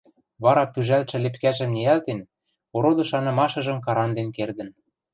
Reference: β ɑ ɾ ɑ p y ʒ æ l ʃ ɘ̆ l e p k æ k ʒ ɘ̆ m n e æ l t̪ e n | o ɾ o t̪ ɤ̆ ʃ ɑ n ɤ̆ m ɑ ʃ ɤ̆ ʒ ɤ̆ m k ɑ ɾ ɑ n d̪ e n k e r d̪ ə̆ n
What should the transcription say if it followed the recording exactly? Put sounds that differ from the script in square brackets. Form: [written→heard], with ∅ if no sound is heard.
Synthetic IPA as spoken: β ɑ ɾ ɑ p y ʒ æ l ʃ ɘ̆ l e p k æ [k→∅] ʒ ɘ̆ m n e æ l t̪ e n | o ɾ o [t̪→d̪] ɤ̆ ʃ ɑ n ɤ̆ m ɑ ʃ ɤ̆ ʒ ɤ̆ m k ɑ ɾ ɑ n d̪ e n k e r d̪ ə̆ n